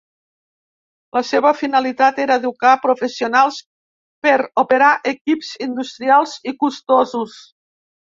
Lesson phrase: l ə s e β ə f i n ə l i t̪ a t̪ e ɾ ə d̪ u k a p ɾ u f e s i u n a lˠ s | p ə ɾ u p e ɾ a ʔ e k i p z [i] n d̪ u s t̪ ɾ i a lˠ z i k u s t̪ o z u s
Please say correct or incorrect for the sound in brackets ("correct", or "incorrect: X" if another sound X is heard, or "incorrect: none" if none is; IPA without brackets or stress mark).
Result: correct